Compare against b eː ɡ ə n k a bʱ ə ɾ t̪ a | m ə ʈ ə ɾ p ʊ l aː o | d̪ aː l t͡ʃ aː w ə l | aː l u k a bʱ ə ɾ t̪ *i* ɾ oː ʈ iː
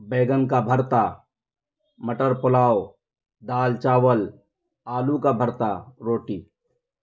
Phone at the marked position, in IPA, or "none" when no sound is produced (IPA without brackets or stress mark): a